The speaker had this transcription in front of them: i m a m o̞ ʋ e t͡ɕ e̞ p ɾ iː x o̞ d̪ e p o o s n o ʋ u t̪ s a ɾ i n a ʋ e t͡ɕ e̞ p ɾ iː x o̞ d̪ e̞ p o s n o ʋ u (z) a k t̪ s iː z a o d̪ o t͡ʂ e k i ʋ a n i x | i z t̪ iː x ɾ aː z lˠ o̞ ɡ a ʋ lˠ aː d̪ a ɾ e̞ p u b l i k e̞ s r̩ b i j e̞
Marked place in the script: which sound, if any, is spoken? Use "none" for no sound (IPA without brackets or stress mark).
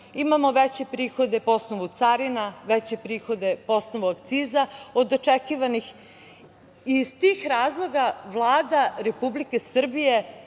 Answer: none